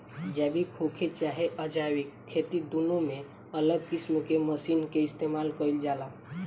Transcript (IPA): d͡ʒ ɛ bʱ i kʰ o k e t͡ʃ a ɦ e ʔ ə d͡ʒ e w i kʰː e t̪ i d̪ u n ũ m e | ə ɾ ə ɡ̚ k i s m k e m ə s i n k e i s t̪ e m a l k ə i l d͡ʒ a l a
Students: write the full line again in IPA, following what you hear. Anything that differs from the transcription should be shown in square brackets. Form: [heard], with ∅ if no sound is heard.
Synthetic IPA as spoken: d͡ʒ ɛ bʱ i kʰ o [kʰ] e t͡ʃ a ɦ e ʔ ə d͡ʒ [a] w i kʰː e t̪ i d̪ u n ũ m e | ə [l] ə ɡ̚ k i s m k e m ə s i n k e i s t̪ e m a l k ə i l d͡ʒ a l a